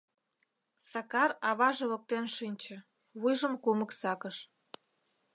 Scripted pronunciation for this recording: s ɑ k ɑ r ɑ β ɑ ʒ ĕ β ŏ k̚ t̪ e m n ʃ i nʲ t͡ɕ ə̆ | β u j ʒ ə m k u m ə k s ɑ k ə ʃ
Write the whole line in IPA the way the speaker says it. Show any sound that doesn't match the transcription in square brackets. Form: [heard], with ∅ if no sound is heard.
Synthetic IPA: s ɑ k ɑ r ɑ β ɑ ʒ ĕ β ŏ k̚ t̪ e [∅] n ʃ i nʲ t͡ɕ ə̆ | β u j ʒ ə m k u m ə k s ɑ k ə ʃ